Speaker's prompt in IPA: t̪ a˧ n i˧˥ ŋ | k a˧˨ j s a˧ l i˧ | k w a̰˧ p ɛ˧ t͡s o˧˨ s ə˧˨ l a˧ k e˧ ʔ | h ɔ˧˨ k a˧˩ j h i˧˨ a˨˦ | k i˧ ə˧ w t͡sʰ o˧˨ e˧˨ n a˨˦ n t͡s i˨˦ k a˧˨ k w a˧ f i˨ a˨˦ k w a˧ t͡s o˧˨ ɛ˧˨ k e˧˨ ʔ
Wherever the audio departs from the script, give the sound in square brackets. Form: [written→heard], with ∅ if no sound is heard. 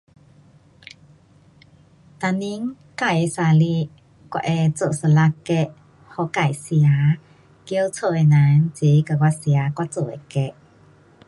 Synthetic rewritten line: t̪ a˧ n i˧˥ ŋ | k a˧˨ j s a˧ l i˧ | k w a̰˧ [p→ʔ] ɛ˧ t͡s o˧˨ s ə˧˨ l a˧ k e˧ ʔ | h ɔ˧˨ k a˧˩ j [h→s] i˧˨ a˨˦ | k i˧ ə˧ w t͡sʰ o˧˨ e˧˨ n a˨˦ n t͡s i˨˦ k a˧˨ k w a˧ [f→s] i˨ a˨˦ k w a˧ t͡s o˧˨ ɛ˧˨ k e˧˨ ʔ